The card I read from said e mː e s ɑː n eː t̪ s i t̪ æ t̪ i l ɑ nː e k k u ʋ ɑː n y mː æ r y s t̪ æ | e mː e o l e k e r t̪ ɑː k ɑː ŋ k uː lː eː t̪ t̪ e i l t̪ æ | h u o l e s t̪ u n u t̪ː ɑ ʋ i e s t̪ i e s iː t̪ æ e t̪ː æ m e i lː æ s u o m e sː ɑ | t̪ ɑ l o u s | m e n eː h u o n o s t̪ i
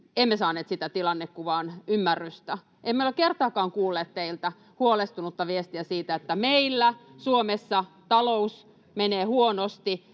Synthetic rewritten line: e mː e s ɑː n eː t̪ s i t̪ æ t̪ i l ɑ nː e k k u ʋ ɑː n y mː æ rː y s t̪ æ | e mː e o l e k e r t̪ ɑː k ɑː ŋ k uː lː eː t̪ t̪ e i l t̪ æ | h u o l e s t̪ u n u t̪ː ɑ ʋ i e s t̪ i æ s iː t̪ æ e t̪ː æ m e i lː æ s u o m e sː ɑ | t̪ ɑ l o u s | m e n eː h u o n o s t̪ i